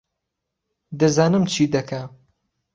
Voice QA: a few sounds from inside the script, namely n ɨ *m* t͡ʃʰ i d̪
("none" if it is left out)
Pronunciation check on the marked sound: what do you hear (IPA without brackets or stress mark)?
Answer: m